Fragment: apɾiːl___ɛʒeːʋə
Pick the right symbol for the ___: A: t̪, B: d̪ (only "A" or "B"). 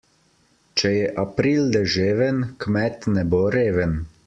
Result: B